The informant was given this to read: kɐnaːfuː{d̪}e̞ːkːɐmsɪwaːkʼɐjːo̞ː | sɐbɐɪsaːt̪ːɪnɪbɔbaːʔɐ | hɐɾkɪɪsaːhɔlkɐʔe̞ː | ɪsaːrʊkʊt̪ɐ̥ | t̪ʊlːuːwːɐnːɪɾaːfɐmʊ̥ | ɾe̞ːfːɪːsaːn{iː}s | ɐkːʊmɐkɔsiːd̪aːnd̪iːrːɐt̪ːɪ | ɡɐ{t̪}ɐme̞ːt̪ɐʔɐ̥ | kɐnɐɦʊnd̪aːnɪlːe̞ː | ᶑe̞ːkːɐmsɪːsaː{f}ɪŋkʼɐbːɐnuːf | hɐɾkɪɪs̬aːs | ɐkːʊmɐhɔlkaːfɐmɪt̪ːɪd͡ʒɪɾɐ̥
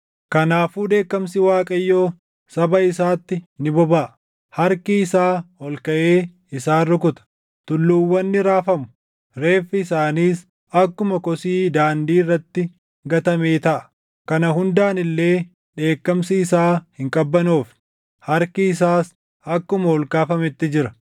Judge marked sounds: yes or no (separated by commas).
yes, yes, yes, no